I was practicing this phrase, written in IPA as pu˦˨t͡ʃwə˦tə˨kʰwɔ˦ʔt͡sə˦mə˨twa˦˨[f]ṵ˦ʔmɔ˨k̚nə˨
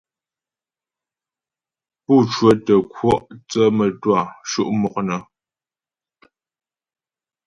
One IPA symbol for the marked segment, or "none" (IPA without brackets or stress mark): ʃ